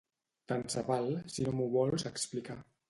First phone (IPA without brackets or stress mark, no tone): t̪